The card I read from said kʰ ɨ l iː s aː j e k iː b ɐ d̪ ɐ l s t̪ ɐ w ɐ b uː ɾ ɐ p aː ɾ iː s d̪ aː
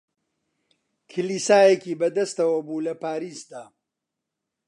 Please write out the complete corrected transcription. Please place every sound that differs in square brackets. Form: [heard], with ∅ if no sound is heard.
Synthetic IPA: kʰ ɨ l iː s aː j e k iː b ɐ d̪ ɐ [∅] s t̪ ɐ w ɐ b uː [l] ɐ p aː ɾ iː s d̪ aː